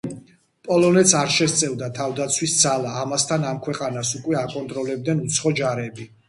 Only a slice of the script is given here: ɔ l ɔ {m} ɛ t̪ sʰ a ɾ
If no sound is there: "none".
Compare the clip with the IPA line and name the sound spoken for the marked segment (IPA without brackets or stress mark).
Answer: n